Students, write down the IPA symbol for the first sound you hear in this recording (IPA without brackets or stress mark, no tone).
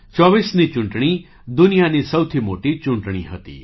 t͡ʃ